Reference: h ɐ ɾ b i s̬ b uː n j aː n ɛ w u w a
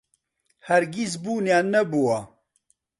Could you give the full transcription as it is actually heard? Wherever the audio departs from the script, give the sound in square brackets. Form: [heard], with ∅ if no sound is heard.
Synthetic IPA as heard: h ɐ ɾ [ɡ] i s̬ b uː n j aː n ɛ [b] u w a